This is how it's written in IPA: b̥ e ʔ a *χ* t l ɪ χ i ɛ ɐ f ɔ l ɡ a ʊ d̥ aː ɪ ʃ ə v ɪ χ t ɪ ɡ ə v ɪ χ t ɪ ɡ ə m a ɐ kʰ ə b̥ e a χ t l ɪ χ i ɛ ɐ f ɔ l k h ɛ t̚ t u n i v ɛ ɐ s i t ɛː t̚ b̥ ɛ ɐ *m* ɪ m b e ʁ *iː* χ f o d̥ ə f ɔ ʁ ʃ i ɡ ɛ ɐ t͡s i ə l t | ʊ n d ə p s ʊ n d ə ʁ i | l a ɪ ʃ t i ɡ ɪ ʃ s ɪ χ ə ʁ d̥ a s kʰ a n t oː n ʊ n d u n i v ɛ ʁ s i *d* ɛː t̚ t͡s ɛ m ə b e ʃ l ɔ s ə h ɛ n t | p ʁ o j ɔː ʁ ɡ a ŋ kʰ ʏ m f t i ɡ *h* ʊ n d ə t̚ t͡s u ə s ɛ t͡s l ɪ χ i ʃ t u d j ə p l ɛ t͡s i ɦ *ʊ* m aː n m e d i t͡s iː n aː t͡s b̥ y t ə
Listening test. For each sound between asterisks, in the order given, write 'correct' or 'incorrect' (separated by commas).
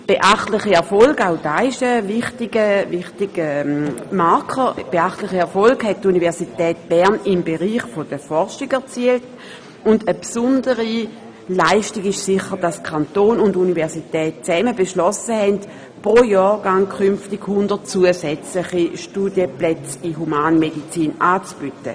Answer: correct, incorrect, correct, incorrect, correct, incorrect